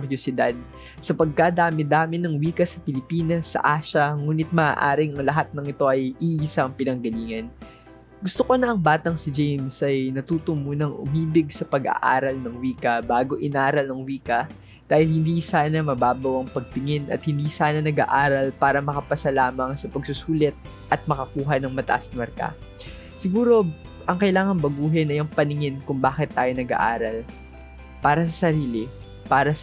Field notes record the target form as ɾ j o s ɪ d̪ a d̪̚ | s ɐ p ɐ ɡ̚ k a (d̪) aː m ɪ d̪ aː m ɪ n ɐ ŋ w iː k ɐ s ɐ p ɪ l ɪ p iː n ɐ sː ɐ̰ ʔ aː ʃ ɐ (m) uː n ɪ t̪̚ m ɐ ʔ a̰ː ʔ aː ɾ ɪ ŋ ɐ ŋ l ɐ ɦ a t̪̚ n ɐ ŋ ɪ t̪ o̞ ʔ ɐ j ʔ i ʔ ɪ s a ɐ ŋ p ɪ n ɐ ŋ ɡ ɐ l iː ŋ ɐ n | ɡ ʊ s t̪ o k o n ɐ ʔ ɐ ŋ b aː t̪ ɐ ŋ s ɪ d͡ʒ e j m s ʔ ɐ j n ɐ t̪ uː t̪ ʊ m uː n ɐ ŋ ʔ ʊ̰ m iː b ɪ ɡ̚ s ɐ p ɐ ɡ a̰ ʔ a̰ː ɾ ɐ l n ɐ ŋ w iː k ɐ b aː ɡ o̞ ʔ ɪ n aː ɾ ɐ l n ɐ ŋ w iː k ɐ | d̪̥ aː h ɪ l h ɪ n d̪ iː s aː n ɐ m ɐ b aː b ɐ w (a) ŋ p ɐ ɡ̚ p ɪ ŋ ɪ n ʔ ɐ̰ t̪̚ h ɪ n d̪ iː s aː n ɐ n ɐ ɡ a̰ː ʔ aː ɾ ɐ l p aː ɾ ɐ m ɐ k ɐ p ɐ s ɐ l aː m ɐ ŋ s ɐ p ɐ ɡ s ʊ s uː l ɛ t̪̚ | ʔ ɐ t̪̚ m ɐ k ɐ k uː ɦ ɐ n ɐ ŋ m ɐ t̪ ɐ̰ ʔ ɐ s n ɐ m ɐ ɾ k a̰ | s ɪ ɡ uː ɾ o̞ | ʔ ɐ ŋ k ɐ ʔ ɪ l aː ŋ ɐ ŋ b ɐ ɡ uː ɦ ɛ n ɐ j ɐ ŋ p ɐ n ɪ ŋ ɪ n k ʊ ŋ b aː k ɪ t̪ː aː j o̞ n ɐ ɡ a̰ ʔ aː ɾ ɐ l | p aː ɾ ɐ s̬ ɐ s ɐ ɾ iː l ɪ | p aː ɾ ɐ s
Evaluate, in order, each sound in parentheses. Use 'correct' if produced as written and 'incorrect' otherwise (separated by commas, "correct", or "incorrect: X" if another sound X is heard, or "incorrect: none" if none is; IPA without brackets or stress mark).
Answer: correct, incorrect: ŋ, incorrect: ɐ